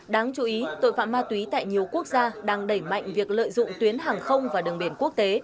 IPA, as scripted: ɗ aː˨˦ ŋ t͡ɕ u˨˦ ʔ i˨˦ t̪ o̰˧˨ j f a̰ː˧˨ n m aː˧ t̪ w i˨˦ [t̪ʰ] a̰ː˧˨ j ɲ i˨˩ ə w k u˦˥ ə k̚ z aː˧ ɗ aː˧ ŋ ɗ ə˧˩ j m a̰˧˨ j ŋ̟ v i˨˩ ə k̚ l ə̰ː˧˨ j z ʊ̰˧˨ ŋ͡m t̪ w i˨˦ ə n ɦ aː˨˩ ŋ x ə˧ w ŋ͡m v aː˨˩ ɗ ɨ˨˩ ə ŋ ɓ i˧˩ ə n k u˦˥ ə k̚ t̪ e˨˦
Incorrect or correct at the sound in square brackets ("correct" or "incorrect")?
incorrect